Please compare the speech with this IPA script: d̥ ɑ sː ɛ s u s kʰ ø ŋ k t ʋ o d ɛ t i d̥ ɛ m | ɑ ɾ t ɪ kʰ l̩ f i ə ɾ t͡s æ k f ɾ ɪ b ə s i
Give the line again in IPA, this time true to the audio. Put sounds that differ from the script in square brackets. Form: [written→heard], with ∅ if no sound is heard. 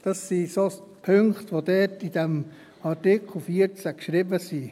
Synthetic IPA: d̥ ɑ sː [ɛ→i] s [u→o] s [kʰ→pʰ] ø ŋ k t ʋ o d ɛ t i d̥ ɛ m | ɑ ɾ t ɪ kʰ l̩ f i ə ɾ t͡s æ k [f→ʃ] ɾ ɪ b ə s i